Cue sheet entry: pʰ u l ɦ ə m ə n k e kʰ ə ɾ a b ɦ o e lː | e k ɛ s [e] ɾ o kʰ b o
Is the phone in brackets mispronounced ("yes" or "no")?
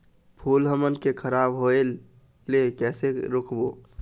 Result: no